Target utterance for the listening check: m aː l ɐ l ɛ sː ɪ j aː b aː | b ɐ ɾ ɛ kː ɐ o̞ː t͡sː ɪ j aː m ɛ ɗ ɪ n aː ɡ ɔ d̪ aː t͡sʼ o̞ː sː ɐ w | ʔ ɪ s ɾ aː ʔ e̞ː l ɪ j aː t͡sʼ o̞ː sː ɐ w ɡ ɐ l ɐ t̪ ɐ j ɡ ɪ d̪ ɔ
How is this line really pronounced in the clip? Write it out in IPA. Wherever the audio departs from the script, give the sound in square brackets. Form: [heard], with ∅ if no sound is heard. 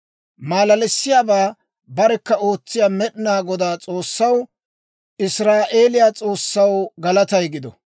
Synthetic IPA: m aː l ɐ l ɛ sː ɪ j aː b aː | b ɐ ɾ ɛ kː ɐ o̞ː t͡sː ɪ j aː m ɛ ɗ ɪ n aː ɡ ɔ d̪ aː t͡sʼ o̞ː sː ɐ w | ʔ ɪ s ɾ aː ʔ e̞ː l ɪ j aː t͡sʼ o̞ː sː ɐ w ɡ ɐ l ɐ t̪ ɐ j ɡ ɪ d̪ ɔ